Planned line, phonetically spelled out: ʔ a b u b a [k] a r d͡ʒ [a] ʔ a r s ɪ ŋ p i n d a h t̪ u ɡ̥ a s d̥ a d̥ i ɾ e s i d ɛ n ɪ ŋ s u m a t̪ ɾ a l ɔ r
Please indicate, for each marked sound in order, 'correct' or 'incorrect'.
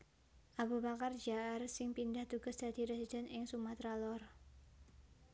correct, correct

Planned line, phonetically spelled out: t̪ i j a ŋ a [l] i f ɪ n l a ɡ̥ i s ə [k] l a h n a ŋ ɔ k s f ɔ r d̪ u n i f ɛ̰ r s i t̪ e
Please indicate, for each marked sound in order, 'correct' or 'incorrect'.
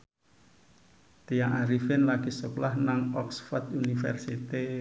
incorrect: ɾ, correct

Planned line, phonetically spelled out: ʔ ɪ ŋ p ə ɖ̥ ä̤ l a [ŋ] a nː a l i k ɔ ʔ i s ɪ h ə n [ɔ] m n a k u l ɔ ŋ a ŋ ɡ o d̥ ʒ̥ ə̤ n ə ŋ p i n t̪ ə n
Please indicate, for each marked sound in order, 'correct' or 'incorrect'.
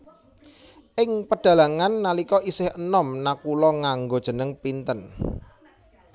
correct, correct

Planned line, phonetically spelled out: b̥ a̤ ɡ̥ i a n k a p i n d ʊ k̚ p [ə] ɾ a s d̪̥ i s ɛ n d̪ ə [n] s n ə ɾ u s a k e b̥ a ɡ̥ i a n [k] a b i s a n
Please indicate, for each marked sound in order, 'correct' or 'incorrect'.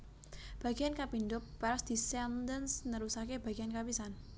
incorrect: a, correct, correct

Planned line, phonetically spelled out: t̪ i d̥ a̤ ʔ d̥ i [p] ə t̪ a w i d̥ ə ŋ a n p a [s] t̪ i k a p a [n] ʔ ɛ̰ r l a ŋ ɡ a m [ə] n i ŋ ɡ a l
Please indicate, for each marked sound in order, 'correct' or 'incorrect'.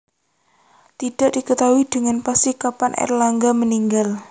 incorrect: k, correct, correct, correct

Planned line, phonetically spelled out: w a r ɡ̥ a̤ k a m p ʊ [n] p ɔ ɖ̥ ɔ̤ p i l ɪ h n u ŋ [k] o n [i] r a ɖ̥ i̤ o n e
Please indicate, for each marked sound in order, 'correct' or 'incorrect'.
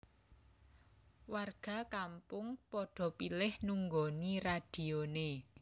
incorrect: ŋ, incorrect: ɡ, correct

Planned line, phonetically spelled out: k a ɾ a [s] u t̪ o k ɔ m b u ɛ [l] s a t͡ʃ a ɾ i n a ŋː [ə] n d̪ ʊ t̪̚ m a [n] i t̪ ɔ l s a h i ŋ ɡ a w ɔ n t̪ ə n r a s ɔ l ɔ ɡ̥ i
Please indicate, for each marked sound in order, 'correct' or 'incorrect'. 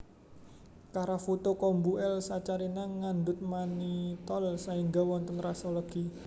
incorrect: f, correct, incorrect: a, correct

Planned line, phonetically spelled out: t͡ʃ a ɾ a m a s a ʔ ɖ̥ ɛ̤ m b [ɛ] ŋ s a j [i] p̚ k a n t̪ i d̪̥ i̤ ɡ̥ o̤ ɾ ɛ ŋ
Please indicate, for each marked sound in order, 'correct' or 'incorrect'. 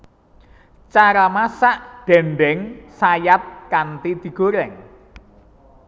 correct, incorrect: a

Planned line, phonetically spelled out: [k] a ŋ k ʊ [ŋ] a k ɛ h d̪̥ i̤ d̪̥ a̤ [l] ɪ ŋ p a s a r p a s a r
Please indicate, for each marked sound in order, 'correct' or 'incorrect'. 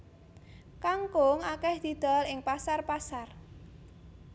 correct, correct, correct

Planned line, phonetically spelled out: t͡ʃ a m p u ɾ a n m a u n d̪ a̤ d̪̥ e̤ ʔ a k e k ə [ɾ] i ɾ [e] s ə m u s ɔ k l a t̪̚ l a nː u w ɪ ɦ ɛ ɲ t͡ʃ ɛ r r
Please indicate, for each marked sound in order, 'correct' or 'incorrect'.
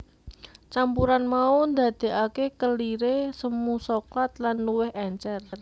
incorrect: l, correct

